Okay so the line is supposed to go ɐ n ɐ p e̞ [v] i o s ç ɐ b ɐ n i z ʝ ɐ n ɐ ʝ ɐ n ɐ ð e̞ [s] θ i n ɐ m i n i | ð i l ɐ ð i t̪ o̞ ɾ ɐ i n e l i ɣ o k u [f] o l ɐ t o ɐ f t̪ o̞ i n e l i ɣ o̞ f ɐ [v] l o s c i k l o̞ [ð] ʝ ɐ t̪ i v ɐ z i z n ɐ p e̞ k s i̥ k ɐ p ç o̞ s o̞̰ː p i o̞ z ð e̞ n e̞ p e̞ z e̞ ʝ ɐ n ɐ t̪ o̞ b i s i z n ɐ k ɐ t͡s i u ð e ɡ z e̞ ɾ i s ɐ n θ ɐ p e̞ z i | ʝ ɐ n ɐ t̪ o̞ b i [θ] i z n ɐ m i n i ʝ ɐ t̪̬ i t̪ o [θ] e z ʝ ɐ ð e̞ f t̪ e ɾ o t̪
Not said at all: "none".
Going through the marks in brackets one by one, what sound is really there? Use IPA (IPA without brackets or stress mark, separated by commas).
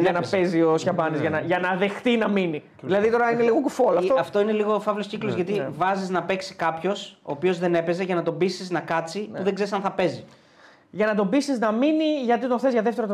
z, x, f, v, z, s, θ